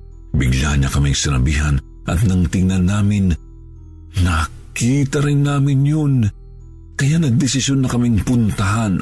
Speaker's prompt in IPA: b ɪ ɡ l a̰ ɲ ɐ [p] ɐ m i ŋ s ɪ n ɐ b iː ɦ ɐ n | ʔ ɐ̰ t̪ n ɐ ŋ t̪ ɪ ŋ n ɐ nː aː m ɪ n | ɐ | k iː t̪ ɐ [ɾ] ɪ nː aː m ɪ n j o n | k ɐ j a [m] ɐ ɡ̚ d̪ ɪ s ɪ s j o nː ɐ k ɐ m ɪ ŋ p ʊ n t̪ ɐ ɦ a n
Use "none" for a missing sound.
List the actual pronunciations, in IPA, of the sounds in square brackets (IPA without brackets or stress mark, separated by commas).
k, ɾ, n